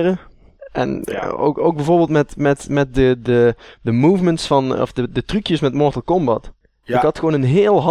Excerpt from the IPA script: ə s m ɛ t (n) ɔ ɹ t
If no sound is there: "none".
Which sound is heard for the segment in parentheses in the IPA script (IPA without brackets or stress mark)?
m